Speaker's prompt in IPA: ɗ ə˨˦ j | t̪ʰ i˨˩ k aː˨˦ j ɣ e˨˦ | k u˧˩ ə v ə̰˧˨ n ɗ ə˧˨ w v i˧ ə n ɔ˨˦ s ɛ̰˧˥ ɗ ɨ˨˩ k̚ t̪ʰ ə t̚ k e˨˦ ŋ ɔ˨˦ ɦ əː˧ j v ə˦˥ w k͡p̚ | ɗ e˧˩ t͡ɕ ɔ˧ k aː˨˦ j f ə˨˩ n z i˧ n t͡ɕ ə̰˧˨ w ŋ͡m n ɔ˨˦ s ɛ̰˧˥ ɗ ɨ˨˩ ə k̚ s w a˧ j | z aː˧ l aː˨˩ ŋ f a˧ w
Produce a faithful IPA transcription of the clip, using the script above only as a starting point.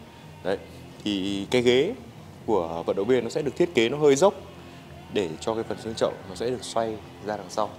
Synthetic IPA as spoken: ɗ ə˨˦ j | t̪ʰ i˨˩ k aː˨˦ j ɣ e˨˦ | k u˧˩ ə v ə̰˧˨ n ɗ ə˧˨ w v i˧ ə n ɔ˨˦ s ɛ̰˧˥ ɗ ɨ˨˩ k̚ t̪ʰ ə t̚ k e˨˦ n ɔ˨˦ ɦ əː˧ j z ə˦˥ w k͡p̚ | ɗ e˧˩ t͡ɕ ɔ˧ k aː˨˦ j f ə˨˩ n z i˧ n t͡ɕ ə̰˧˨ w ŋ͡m n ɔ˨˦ s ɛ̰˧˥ ɗ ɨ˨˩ ə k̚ s w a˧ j | z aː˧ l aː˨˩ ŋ s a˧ w